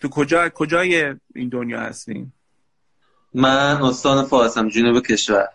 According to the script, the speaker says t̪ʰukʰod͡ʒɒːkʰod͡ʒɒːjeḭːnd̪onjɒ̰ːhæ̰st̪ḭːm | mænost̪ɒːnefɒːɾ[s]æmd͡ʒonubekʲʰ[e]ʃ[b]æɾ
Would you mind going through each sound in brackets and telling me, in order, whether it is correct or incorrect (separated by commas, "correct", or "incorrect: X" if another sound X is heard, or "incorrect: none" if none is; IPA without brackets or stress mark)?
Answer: correct, correct, incorrect: v